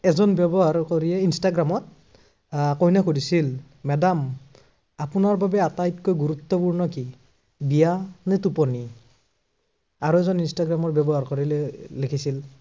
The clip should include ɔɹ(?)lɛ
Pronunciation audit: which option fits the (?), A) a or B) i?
B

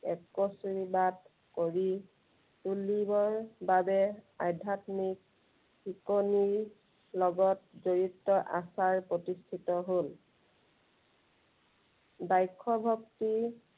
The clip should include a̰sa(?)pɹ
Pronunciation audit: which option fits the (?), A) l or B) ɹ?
B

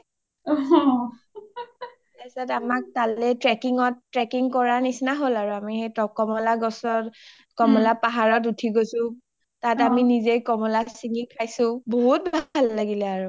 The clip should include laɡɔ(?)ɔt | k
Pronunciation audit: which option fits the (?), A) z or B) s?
B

